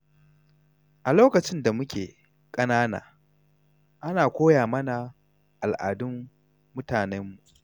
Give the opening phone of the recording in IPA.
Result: ʔ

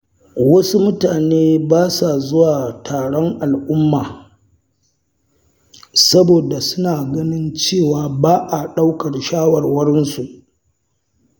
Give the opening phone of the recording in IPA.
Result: w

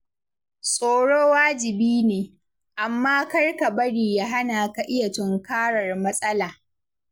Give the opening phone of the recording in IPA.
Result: sʼ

